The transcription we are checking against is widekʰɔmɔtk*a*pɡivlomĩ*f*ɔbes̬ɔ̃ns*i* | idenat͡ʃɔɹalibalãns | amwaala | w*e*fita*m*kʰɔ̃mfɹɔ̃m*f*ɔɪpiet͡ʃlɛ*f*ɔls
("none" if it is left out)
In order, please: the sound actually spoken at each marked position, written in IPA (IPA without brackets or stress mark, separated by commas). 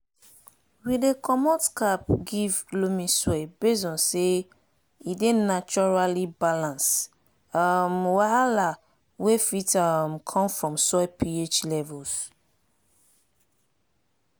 a, s, e, e, m, s, v